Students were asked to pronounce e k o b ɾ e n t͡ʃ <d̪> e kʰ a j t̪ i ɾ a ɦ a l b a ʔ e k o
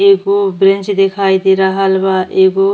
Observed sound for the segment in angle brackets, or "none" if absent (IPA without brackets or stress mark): d̪